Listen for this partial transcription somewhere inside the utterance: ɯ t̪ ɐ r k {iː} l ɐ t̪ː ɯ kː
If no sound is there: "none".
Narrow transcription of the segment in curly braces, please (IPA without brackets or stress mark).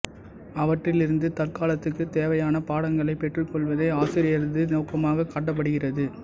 aː